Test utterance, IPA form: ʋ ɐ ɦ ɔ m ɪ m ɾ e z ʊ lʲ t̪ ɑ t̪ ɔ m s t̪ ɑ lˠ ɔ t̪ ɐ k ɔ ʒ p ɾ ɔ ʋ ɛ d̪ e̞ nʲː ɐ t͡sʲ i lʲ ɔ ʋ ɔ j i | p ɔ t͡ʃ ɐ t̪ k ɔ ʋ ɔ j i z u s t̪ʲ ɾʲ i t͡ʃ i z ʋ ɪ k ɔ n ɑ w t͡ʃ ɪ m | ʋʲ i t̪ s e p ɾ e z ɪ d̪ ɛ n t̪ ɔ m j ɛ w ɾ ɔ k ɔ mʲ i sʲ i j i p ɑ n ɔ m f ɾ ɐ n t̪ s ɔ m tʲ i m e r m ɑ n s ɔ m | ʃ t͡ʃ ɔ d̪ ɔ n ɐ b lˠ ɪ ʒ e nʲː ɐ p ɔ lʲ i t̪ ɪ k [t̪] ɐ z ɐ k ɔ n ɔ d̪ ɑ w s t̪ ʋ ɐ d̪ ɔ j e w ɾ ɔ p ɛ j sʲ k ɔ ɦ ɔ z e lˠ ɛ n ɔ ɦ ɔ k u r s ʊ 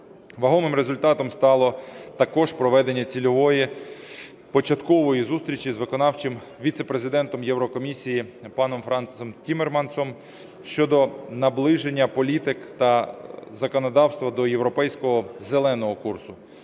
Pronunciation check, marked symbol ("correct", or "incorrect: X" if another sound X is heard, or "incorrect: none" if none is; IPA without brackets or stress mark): correct